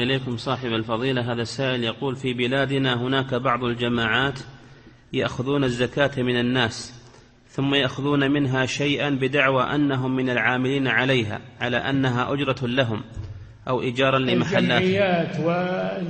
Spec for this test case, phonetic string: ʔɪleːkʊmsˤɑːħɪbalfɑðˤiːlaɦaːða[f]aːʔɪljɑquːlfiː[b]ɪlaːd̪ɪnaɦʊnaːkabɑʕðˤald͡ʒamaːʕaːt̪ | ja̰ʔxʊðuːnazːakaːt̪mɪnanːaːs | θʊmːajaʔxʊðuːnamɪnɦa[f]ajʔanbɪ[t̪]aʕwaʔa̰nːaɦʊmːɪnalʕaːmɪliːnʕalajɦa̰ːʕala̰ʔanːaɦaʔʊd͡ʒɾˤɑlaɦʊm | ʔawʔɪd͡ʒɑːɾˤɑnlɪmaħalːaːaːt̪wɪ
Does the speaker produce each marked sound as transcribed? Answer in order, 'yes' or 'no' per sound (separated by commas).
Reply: no, yes, no, no